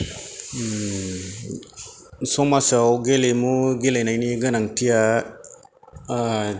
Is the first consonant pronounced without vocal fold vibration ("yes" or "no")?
yes